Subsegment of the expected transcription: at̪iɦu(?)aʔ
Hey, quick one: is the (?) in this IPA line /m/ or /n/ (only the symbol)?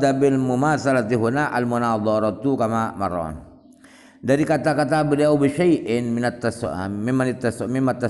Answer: n